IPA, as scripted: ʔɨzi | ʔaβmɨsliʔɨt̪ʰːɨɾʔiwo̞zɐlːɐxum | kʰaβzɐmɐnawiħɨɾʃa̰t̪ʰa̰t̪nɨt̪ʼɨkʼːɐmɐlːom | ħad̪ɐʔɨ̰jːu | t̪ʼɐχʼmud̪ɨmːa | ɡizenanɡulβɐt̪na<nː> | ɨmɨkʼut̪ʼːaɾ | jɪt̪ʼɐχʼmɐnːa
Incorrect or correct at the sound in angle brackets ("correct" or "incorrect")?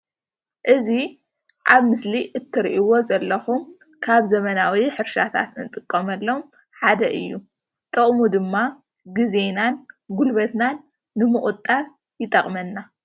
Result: correct